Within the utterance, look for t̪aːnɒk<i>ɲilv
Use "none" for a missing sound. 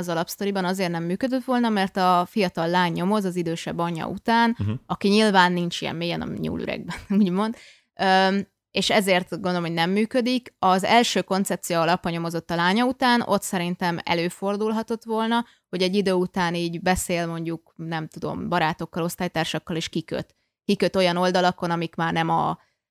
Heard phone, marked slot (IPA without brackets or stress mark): i